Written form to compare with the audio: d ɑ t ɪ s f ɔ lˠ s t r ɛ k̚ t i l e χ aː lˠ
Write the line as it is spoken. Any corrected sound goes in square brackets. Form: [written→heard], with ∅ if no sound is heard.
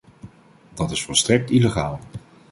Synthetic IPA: d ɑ t ɪ s f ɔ lˠ s t r ɛ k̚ t i l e χ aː lˠ